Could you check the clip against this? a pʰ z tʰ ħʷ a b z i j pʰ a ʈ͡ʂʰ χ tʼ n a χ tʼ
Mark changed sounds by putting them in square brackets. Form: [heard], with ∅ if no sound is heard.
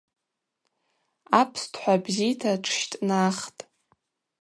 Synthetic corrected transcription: a pʰ [s] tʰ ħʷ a b z i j [tʰ] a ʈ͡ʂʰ [ʃ] tʼ n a χ tʼ

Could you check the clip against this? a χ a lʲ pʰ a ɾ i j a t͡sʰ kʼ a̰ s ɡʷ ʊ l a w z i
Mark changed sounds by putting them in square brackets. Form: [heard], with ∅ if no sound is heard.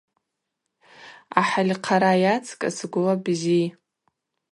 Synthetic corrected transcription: a [ħ] a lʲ [qʰ] a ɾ [a] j a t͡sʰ kʼ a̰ s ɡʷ ʊ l a [b] z i

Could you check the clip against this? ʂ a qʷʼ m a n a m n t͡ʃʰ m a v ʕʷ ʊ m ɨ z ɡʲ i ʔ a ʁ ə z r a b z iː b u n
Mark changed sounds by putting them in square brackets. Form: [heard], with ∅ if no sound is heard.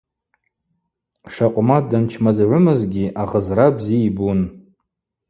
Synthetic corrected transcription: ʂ a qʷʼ m a [d] a [∅] n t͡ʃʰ m a [z] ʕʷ ʊ m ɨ z ɡʲ i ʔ a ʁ ə z r a b z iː b u n

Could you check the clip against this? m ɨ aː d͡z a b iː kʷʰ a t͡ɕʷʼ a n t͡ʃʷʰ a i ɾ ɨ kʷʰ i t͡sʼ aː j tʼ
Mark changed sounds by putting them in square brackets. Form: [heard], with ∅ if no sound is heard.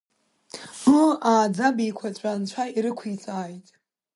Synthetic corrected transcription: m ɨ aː d͡z a b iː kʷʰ a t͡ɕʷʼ a n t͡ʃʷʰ a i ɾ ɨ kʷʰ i t͡sʼ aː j tʼ

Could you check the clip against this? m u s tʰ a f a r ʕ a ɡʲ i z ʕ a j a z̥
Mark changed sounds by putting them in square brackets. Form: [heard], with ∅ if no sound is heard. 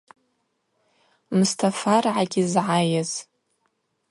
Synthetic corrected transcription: m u s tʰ a f a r ʕ a ɡʲ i z ʕ a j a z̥

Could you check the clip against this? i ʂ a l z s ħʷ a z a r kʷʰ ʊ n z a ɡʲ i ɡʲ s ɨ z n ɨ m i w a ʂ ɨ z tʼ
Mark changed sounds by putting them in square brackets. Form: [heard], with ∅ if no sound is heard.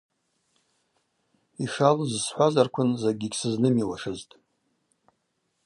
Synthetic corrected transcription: i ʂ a l z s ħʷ a z a r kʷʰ ʊ n z a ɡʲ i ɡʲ s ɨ z n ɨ m i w a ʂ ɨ z tʼ

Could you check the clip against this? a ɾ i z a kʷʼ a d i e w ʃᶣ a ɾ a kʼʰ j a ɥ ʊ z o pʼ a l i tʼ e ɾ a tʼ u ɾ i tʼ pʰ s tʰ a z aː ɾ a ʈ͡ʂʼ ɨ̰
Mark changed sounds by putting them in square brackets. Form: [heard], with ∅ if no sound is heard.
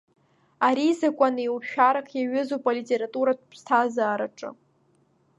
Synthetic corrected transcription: a ɾ i z a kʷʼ a [n] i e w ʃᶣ a ɾ a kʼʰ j a ɥ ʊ z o pʼ a l i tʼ e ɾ a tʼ u ɾ [a] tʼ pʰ s tʰ a z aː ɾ a ʈ͡ʂʼ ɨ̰

